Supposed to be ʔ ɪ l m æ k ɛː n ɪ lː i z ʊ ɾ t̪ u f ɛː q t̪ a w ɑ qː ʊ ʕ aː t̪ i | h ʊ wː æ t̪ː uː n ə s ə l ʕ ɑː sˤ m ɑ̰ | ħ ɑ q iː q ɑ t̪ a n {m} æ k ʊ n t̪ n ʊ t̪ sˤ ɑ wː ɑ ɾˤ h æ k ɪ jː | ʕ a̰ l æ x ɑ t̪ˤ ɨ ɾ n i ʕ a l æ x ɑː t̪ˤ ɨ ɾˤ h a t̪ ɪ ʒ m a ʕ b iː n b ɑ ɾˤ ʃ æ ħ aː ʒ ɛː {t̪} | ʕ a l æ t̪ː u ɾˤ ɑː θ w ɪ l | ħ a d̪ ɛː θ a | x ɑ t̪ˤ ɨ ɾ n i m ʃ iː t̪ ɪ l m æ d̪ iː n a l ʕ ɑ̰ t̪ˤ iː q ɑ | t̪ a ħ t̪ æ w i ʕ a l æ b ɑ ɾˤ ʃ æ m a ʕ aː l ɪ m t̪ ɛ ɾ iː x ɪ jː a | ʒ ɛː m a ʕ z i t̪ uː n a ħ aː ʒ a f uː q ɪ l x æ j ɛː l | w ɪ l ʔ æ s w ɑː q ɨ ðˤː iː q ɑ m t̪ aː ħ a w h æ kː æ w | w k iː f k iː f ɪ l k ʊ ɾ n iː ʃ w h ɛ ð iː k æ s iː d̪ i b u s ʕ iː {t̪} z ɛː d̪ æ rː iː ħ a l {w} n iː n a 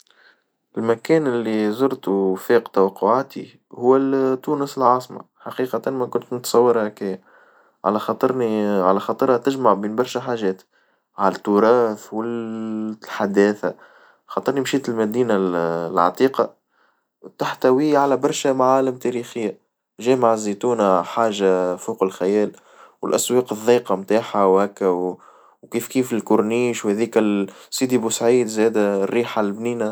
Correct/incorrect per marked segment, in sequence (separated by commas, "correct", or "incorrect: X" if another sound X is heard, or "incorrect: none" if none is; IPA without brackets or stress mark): correct, correct, incorrect: d̪, incorrect: b